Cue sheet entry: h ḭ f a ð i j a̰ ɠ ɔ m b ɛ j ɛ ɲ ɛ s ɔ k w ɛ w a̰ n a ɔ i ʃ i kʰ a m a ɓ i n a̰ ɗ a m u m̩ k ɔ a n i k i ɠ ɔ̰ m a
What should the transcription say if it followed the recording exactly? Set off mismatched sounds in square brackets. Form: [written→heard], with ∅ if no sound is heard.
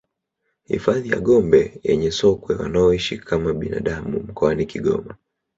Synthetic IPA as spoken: h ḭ f a ð i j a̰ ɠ ɔ m b ɛ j ɛ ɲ ɛ s ɔ k w ɛ w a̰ n a ɔ i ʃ i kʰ a m a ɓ i n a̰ ɗ a m u m̩ k ɔ a n i k i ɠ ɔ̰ m a